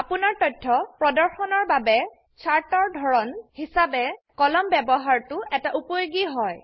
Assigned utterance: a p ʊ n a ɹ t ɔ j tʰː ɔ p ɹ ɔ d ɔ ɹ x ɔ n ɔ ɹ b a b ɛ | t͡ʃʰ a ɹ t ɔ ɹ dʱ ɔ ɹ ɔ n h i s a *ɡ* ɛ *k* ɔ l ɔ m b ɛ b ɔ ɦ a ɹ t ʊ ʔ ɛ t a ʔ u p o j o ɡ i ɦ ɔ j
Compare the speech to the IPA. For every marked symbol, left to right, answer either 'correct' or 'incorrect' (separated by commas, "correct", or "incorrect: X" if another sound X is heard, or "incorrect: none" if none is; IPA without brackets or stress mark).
incorrect: b, correct